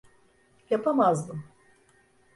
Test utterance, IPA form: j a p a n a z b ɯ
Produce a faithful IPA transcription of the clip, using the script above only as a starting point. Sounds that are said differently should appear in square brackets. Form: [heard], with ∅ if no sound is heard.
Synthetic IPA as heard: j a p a [m] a z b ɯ